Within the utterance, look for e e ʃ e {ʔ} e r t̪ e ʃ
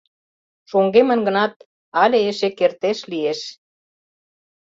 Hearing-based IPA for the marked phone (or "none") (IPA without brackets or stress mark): k